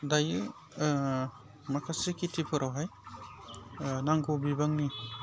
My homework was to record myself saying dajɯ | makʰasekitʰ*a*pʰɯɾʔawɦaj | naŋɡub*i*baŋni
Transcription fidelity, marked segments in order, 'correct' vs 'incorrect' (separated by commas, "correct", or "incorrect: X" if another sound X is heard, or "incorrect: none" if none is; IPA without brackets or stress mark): incorrect: i, correct